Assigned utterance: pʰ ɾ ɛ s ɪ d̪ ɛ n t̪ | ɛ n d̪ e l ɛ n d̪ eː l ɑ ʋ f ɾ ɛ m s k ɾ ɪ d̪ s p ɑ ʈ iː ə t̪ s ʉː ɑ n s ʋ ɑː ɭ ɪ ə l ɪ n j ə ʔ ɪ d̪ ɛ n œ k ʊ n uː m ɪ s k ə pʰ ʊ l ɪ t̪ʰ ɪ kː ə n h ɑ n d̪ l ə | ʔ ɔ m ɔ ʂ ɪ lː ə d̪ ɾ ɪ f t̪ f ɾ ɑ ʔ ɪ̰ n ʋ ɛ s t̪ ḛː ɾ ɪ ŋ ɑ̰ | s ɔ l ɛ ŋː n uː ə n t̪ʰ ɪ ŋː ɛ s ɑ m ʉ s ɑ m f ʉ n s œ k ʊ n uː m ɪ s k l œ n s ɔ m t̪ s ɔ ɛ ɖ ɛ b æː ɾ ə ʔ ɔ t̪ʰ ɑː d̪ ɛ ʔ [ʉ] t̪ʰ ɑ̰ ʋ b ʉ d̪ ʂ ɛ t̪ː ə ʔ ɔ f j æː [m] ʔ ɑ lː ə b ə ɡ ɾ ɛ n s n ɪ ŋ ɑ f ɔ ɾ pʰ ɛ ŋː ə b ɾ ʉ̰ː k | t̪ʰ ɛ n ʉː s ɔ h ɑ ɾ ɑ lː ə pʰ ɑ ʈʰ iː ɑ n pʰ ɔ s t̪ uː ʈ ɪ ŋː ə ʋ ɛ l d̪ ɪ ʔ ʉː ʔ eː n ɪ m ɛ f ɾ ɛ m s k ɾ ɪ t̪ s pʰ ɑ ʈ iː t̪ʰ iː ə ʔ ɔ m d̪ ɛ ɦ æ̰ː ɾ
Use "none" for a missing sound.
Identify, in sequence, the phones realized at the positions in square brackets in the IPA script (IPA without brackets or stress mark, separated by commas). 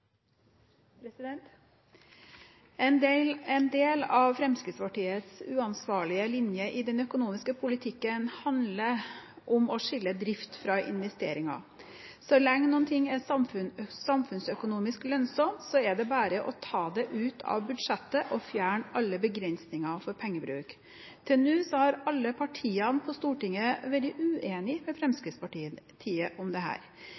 ʉː, ɳ